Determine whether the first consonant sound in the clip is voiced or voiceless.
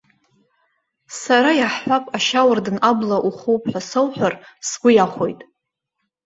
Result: voiceless